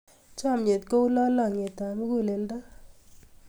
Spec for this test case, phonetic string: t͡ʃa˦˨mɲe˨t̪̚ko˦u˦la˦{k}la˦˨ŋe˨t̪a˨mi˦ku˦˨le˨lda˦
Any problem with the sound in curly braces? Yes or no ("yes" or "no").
yes